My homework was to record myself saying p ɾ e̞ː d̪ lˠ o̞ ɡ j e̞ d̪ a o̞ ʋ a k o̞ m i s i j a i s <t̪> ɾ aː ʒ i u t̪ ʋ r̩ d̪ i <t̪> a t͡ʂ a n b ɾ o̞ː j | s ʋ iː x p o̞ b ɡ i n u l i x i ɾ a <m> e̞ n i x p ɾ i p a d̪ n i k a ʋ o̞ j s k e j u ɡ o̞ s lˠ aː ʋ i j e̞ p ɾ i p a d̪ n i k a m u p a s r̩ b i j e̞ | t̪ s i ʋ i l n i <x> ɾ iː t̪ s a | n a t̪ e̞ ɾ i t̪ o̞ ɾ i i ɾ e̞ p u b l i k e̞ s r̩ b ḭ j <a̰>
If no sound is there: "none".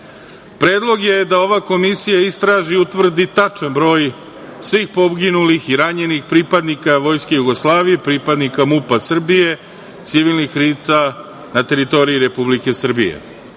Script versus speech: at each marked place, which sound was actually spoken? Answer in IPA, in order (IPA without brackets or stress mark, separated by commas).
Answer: t̪, t̪, ɲ, x, ḛ